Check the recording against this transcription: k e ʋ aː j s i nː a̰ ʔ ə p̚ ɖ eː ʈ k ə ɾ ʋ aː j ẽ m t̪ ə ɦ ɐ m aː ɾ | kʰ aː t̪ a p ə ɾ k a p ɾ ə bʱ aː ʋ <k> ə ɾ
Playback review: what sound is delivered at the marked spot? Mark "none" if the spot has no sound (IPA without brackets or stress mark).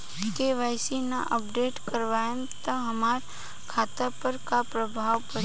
p